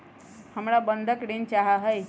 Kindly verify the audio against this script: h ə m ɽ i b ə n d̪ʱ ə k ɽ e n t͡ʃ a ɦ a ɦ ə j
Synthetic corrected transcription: h ə m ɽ a b ə n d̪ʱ ə k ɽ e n t͡ʃ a ɦ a ɦ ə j

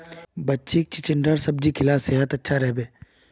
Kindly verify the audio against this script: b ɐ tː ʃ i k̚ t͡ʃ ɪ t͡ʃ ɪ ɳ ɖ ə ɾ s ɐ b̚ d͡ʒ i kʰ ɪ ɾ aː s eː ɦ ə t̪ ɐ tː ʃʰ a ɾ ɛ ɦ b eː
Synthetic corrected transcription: b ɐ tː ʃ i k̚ t͡ʃ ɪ t͡ʃ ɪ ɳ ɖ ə ɾ s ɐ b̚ d͡ʒ i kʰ ɪ l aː s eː ɦ ə t̪ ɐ tː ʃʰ a ɾ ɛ ɦ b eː

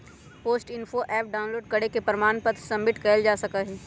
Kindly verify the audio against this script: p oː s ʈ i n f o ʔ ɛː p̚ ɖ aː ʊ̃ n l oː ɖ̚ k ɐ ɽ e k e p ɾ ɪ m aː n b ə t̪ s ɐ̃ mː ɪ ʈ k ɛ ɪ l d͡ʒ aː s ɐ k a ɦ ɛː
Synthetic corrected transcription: p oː s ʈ ɪ n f o ʔ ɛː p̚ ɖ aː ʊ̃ n l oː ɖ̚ k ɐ ɽ e k e p ɾ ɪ m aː n p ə t̪ s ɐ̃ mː ɪ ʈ k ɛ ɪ l d͡ʒ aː s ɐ k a ɦ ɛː

